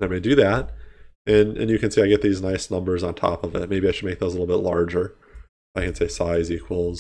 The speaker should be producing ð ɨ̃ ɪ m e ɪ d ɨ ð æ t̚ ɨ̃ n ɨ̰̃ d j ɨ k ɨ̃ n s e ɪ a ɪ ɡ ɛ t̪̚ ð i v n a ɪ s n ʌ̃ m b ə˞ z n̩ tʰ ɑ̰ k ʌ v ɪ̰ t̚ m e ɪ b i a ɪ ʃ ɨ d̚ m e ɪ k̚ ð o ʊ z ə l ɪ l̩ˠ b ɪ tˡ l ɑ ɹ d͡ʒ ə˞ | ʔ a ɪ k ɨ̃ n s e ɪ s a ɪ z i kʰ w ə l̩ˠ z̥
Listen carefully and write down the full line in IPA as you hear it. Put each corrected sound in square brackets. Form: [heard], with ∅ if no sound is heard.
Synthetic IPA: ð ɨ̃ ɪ m e ɪ d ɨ ð æ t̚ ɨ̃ n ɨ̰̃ [n] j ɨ k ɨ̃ n s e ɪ a ɪ ɡ ɛ t̪̚ ð i [z] n a ɪ s n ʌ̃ m b ə˞ z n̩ tʰ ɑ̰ [p] ʌ v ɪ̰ t̚ m e ɪ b i a ɪ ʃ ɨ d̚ m e ɪ k̚ ð o ʊ z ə l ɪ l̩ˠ b ɪ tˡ l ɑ ɹ d͡ʒ ə˞ | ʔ a ɪ k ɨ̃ n s e ɪ s a ɪ z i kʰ w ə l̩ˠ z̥